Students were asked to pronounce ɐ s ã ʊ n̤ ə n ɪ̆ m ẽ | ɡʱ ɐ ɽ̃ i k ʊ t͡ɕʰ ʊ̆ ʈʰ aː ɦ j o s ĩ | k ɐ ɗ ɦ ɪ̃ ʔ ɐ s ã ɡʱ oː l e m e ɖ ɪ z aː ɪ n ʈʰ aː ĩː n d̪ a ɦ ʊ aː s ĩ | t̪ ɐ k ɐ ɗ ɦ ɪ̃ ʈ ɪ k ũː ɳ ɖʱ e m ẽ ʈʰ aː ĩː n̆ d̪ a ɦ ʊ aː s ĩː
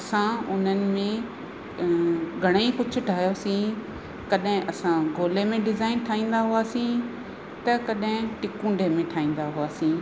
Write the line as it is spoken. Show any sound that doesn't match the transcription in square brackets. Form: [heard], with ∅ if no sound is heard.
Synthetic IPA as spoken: ɐ s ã ʊ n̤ ə n ɪ̆ m ẽ | ɡʱ ɐ ɽ̃ i k ʊ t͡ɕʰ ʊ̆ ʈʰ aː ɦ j o s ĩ | k ɐ ɗ ɦ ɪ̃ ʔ ɐ s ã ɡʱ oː l e m [ẽ] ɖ ɪ z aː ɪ n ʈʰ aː ĩː n d̪ a ɦ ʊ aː s ĩ | t̪ ɐ k ɐ ɗ ɦ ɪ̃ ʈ ɪ k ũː ɳ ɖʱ e m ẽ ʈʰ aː ĩː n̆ d̪ a ɦ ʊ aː s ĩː